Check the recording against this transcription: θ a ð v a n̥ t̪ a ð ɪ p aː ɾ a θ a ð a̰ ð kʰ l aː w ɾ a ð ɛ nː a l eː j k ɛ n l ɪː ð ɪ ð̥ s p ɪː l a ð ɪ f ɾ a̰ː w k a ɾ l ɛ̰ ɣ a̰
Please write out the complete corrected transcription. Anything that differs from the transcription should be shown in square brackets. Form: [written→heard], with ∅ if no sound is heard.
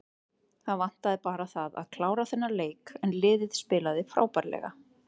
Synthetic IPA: θ a ð v a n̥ t̪ a ð ɪ p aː ɾ a θ a ð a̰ ð kʰ l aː w ɾ a [ð→θ] ɛ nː a l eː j k ɛ n l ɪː ð ɪ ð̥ s p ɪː l a ð ɪ f ɾ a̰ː w [k→p] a ɾ l ɛ̰ ɣ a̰